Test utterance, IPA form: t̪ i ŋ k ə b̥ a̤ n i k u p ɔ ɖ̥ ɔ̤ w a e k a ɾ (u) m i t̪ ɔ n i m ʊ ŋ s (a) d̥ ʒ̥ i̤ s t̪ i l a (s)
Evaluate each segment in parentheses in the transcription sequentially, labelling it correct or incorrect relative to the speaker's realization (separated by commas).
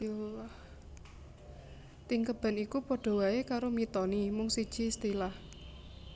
incorrect, incorrect, incorrect